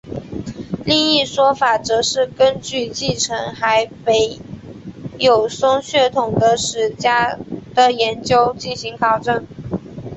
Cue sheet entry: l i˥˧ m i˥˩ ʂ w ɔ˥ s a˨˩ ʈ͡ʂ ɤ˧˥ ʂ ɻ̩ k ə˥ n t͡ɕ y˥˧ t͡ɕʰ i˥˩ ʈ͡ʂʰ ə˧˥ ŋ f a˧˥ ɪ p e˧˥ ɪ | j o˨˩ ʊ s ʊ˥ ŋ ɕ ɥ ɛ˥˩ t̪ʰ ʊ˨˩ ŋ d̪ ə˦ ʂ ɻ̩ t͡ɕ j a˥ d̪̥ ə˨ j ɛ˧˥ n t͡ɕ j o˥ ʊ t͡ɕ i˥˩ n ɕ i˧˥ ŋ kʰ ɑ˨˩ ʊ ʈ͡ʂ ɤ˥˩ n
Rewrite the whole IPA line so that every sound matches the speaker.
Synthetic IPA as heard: l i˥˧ ŋ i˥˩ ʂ w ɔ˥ f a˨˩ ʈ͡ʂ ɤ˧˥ ʂ ɻ̩ k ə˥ n t͡ɕ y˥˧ t͡ɕ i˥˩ ʈ͡ʂʰ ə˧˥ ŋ x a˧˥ ɪ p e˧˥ ɪ | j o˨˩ ʊ s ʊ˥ ŋ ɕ ɥ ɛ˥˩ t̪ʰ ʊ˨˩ ŋ d̪ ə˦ ʂ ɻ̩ t͡ɕ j a˥ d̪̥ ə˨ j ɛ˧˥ n t͡ɕ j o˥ ʊ t͡ɕ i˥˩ n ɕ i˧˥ ŋ kʰ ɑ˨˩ ʊ ʈ͡ʂ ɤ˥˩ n